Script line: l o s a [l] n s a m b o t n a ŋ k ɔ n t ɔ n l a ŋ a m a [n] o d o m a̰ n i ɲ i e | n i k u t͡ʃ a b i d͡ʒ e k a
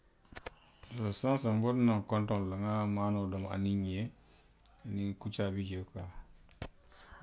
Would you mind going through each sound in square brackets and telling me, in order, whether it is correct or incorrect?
incorrect, correct

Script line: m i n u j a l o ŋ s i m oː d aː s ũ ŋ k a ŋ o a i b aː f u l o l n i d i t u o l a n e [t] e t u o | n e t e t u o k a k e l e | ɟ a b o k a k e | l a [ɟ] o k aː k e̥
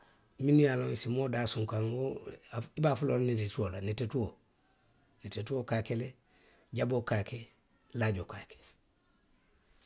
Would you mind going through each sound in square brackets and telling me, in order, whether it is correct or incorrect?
correct, correct

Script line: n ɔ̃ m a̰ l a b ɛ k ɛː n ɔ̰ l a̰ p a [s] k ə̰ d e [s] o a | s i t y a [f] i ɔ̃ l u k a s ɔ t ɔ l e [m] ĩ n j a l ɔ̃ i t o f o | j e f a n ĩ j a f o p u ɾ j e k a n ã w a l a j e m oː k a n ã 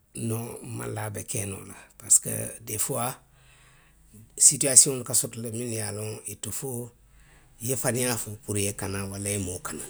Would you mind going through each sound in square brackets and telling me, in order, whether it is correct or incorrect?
correct, incorrect, incorrect, correct

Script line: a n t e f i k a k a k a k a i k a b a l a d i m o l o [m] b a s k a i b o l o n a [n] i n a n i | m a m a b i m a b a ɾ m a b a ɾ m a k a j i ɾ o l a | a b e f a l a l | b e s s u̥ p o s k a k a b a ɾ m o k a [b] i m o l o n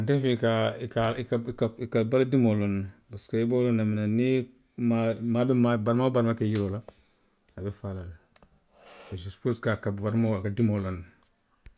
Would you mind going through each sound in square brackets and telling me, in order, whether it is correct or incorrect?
incorrect, incorrect, incorrect

